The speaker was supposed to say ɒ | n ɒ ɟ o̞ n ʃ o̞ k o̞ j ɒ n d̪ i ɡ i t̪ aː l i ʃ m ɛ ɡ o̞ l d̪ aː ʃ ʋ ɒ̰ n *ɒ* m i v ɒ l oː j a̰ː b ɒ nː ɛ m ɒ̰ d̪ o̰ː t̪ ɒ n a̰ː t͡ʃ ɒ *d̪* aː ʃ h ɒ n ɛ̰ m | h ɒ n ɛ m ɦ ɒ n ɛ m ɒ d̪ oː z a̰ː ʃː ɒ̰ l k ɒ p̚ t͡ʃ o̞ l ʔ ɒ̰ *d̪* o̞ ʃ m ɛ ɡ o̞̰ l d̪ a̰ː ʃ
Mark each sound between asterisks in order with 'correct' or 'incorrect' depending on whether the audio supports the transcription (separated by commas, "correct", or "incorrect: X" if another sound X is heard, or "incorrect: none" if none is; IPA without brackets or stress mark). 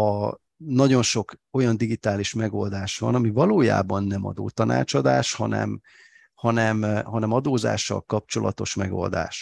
correct, correct, incorrect: t̪